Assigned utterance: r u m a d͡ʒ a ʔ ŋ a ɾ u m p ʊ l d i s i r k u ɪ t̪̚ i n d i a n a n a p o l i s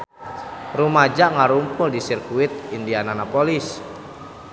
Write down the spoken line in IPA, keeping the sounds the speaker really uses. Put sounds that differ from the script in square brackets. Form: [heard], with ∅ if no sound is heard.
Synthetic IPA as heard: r u m a d͡ʒ a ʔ ŋ a ɾ u m p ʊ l d i s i r k u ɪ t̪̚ i n d i a n a n a p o l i s